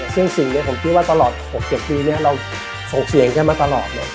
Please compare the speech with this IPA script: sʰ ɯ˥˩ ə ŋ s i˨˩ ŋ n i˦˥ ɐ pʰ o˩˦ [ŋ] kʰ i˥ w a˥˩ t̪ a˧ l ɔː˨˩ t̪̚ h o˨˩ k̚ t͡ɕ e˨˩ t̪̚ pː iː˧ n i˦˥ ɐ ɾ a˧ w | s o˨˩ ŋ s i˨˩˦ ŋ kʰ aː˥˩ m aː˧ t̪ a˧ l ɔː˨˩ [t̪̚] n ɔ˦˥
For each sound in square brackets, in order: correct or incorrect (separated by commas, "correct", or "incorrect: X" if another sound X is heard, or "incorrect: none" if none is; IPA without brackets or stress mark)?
incorrect: m, correct